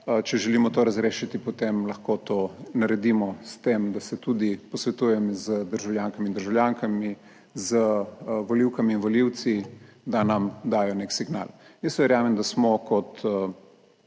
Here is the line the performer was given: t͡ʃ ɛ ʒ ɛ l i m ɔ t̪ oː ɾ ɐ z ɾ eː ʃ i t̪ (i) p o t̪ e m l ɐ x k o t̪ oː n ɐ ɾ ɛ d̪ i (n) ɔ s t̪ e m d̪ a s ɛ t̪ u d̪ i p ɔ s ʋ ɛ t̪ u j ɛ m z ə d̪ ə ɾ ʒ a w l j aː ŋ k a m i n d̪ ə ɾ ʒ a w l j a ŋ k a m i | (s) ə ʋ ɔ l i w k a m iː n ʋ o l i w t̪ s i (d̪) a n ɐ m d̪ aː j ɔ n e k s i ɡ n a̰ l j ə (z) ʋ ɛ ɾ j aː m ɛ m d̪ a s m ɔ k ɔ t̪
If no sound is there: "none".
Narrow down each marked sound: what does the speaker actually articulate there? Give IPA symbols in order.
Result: i, m, z, d̪, s

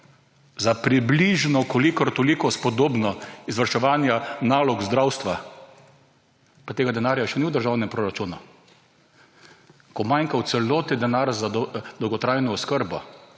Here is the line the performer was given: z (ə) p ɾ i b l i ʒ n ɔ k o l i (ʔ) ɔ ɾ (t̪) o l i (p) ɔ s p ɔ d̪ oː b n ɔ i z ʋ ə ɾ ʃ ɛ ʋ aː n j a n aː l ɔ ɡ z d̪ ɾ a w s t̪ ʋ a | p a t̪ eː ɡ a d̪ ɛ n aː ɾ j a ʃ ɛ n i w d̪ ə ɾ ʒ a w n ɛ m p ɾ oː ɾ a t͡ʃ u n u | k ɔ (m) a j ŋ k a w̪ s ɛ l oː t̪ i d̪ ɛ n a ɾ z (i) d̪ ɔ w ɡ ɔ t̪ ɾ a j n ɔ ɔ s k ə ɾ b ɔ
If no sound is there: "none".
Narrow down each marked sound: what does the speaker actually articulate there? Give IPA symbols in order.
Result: a, k, t̪, k, m, a

